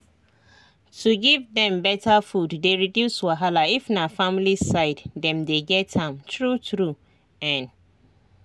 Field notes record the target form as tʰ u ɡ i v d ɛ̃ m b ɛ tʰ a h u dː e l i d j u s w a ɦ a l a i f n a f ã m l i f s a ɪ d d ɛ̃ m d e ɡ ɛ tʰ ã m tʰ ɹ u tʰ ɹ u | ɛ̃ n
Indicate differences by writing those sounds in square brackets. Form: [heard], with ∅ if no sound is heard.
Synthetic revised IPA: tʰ u ɡ i v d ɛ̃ m b ɛ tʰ a [f] u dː e [ɹ] i d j u s w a ɦ a l a i f n a f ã m l i [∅] s a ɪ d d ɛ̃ m d e ɡ ɛ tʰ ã m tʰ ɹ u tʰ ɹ u | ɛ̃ n

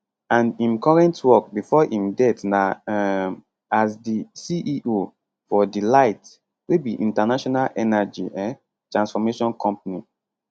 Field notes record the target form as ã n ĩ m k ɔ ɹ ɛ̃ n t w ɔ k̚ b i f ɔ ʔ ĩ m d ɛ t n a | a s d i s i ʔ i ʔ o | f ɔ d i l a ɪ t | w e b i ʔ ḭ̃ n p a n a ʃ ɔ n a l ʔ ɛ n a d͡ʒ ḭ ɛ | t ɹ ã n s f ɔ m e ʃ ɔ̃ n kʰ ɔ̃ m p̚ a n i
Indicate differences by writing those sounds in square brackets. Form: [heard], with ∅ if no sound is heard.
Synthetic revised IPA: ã n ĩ m k ɔ ɹ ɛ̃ n t w ɔ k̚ b i f ɔ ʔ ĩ m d ɛ t n a | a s d i s i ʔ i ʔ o | f ɔ d i l a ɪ t | w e b i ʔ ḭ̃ n [t] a n a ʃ ɔ n a l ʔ ɛ n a d͡ʒ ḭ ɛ | t ɹ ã n s f ɔ m e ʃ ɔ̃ n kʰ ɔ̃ m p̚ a n i

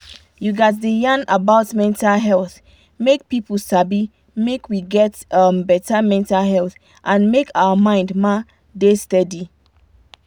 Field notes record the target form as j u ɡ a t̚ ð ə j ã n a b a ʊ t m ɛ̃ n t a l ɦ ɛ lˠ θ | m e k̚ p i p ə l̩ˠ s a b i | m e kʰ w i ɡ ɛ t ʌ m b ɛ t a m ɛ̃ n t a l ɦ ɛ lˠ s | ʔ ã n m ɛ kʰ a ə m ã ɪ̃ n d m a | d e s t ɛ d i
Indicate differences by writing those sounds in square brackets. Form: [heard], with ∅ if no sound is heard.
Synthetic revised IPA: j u ɡ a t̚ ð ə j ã n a b a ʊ t m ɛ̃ n t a l ɦ ɛ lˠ θ | m e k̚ p i p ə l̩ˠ s a b i | m e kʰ w i ɡ ɛ t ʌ m b ɛ t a m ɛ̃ n t a l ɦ ɛ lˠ [θ] | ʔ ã n m [e] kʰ a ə m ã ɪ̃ n d m a | d e s t ɛ d i

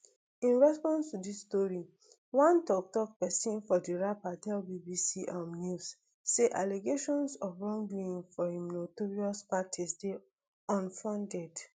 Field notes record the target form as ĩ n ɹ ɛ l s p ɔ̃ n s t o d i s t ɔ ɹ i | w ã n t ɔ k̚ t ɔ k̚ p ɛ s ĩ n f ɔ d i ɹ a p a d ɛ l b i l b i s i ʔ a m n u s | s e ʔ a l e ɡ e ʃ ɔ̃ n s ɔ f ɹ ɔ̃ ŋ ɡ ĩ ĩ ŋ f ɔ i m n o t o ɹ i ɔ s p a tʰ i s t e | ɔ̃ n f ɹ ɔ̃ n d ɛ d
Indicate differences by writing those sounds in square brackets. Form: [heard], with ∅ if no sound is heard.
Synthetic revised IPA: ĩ n ɹ ɛ [∅] s p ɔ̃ n s t [u] d i s t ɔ ɹ i | w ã n t ɔ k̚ t ɔ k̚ p ɛ s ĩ n f ɔ d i ɹ a p a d ɛ l b i [∅] b i s i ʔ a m n u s | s e ʔ a l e ɡ e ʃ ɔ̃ n s ɔ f ɹ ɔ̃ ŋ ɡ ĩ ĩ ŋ f ɔ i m n o t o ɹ i ɔ s p a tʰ i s [d] e | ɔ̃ n f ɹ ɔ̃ n d ɛ d

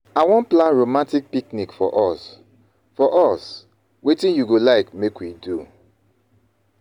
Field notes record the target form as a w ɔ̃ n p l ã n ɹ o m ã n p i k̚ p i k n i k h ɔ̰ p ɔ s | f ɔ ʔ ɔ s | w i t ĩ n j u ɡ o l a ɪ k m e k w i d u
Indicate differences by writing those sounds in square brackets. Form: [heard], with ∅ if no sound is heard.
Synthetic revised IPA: a w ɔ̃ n p l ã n ɹ o m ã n [t] i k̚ p i k n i k [f] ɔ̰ [ʔ] ɔ s | f ɔ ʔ ɔ s | w [e] t ĩ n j u ɡ o l a ɪ k m e k w i d u

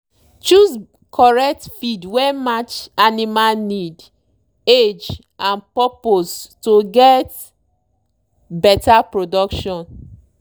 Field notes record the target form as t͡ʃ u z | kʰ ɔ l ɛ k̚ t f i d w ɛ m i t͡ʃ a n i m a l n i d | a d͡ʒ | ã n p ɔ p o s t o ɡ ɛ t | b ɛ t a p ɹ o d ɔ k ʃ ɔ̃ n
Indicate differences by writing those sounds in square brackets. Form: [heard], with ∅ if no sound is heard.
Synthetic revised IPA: t͡ʃ u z | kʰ ɔ [ɹ] ɛ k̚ t f i d w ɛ m [a] t͡ʃ a n i m a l n i d | [e] d͡ʒ | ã n p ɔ p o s t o ɡ ɛ t | b ɛ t a p ɹ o d ɔ k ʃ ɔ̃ n

